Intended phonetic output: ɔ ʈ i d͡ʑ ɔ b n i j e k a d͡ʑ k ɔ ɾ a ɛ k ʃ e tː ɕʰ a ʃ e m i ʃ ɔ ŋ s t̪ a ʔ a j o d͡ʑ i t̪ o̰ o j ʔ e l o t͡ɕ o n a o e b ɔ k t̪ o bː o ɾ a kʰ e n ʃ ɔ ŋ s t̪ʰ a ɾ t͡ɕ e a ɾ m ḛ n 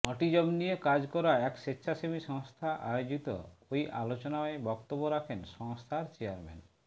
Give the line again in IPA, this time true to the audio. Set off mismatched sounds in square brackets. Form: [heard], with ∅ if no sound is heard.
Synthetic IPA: ɔ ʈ i d͡ʑ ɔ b n i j e k a d͡ʑ k ɔ ɾ a ɛ k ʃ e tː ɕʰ a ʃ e m i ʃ ɔ ŋ s [t̪ʰ] a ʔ a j o d͡ʑ i t̪ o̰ o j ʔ [a] l o t͡ɕ o n a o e b ɔ k t̪ o bː o ɾ a kʰ e n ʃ ɔ ŋ s t̪ʰ a ɾ t͡ɕ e a ɾ m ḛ n